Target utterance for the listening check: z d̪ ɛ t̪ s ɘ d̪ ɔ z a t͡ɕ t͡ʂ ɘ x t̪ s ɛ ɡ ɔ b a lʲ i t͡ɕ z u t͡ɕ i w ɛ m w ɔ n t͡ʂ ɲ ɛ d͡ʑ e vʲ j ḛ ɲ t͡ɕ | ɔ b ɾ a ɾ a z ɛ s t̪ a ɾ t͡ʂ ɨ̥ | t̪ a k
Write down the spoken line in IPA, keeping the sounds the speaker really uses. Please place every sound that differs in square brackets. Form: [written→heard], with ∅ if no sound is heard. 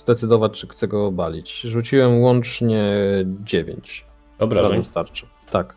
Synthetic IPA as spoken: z d̪ ɛ t̪ s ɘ d̪ ɔ [z→v] a t͡ɕ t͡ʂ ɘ x t̪ s ɛ ɡ ɔ b a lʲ i t͡ɕ [z→ʐ] u t͡ɕ i w ɛ m w ɔ n t͡ʂ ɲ ɛ d͡ʑ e vʲ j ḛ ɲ t͡ɕ | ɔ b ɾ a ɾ a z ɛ s t̪ a ɾ t͡ʂ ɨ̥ | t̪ a k